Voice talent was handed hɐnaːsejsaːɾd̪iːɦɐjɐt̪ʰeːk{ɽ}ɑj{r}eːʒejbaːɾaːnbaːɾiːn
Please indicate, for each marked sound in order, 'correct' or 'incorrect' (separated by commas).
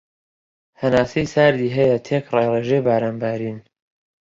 incorrect, correct